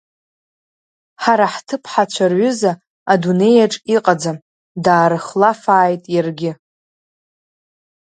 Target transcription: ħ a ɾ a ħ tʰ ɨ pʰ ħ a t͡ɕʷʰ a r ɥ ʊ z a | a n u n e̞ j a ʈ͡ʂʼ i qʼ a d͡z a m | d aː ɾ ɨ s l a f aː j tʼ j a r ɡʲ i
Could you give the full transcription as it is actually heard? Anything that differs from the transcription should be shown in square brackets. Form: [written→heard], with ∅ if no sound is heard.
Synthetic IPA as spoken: ħ a ɾ a ħ tʰ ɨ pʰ ħ a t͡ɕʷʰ a r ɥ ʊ z a | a [n→d] u n e̞ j a ʈ͡ʂʼ i qʼ a d͡z a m | d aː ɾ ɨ [s→χ] l a f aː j tʼ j a r ɡʲ [i→ɪ]